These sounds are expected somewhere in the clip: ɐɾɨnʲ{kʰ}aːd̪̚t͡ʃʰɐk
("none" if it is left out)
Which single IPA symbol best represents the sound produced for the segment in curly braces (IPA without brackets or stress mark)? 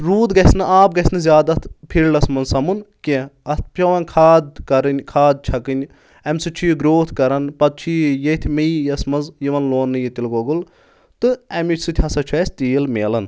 kʰ